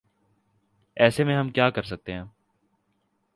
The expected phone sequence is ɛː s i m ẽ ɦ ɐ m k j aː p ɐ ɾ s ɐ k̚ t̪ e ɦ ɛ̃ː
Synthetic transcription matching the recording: ɛː s e m ẽ ɦ ɐ m k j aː k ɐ ɾ s ɐ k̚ t̪ e ɦ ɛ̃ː